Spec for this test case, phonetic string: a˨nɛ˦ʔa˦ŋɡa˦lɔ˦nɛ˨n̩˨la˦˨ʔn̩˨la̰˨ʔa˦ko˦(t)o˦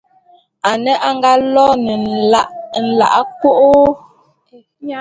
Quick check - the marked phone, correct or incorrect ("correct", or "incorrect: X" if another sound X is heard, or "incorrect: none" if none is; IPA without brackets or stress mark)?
incorrect: ʔ